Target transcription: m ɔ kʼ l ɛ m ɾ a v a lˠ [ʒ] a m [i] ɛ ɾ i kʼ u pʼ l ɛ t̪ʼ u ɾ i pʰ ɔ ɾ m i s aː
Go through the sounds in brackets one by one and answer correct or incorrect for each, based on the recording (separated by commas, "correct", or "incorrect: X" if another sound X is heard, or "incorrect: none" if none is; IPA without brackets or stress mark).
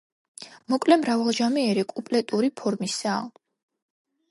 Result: correct, correct